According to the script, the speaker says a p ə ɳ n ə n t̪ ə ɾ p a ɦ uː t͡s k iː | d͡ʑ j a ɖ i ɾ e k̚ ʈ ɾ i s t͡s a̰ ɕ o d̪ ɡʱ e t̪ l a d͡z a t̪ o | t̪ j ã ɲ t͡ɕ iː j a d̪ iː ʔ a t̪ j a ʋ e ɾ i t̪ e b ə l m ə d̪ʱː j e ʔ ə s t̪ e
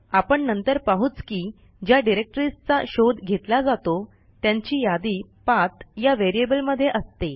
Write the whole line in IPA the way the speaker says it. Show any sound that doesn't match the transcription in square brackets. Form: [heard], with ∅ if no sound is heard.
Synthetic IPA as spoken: a p ə ɳ n ə n t̪ ə ɾ p a ɦ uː t͡s k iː | d͡ʑ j a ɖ i ɾ e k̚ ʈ ɾ i s t͡s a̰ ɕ o d̪ ɡʱ e t̪ l a d͡z a t̪ o | t̪ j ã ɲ t͡ɕ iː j a d̪ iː [p] a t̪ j a ʋ e ɾ i [∅] e b ə l m ə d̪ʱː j e ʔ ə s t̪ e